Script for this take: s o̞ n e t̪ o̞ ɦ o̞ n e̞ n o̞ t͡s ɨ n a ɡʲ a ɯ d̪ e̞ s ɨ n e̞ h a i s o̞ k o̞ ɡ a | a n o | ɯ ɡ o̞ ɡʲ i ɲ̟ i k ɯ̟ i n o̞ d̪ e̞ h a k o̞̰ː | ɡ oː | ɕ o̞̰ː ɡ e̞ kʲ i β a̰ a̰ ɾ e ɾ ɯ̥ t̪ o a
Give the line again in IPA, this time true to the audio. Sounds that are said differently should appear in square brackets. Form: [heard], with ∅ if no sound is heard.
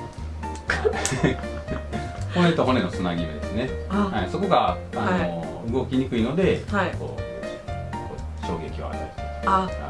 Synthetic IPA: [h] o̞ n e t̪ o̞ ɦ o̞ n e̞ n o̞ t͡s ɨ n a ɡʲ [i] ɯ d̪ e̞ s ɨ n e̞ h a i s o̞ k o̞ ɡ a | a n o | ɯ ɡ o̞ [kʲ] i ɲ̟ i k ɯ̟ i n o̞ d̪ e̞ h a k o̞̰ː | [k] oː | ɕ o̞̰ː ɡ e̞ kʲ i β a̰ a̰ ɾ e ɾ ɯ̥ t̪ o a